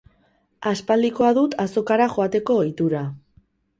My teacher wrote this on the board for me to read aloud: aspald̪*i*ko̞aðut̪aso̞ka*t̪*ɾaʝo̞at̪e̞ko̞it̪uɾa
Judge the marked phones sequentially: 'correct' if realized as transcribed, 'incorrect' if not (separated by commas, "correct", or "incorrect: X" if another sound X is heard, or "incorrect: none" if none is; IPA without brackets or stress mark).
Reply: correct, incorrect: none